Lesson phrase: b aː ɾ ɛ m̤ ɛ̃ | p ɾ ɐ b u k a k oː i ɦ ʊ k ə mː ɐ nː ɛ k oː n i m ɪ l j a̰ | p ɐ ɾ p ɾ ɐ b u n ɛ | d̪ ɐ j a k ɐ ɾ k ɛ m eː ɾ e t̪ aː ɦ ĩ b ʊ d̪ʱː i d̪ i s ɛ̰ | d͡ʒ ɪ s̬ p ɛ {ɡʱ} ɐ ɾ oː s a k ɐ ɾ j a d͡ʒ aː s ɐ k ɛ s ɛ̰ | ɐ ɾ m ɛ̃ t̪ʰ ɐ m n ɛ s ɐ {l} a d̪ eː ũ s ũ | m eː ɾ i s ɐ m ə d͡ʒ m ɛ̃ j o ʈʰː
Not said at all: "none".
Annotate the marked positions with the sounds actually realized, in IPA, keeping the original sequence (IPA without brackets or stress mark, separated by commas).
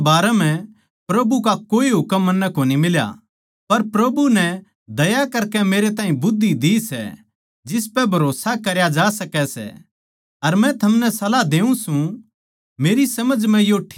bʱ, l